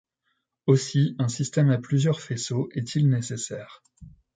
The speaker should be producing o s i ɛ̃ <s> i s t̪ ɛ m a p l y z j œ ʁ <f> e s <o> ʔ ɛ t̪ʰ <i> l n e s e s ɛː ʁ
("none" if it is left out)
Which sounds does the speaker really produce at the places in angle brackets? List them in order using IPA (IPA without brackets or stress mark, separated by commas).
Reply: s, f, o, i